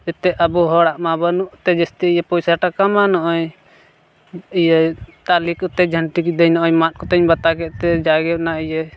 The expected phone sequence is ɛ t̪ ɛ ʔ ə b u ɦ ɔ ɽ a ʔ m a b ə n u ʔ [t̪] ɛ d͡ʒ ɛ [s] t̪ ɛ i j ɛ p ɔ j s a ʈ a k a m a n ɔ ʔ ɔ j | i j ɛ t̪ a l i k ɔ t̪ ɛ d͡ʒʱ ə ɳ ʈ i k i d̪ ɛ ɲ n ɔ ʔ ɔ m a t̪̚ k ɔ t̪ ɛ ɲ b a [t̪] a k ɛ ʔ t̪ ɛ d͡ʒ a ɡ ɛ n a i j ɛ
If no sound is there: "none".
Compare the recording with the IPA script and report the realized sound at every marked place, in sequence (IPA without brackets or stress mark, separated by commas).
t̪, s, t̪